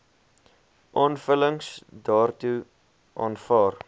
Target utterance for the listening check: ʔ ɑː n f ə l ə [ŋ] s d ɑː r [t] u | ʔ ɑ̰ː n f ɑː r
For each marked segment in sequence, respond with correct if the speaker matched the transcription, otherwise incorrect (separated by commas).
correct, correct